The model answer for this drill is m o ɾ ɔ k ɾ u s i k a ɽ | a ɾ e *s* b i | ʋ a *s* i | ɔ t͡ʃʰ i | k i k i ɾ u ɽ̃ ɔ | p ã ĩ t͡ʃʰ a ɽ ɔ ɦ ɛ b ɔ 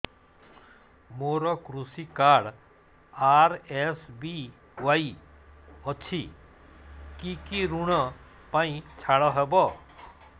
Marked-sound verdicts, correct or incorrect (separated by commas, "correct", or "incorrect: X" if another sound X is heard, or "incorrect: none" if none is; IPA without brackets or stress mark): correct, incorrect: none